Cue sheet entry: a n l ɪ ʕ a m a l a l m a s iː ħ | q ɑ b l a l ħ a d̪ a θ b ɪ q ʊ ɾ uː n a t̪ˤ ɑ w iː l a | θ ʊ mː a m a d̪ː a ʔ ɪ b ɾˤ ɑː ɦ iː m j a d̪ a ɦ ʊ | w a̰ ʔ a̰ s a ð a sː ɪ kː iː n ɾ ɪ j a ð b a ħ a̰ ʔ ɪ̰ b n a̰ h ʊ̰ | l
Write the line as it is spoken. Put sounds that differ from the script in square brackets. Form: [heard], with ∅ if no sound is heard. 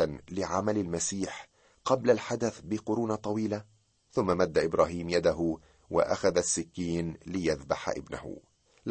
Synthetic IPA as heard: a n l ɪ ʕ a m a l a l m a s iː ħ | q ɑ b l a l ħ a d̪ a θ b ɪ q ʊ ɾ uː n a t̪ˤ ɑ w iː l a | θ ʊ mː a m a d̪ː a ʔ ɪ b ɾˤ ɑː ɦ iː m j a d̪ a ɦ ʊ | w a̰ ʔ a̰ [x] a ð a sː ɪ kː iː n [l] ɪ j a ð b a ħ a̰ ʔ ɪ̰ b n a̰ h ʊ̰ | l